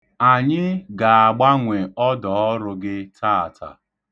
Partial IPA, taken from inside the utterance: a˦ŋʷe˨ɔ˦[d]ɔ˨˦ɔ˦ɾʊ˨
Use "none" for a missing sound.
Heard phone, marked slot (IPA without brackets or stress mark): d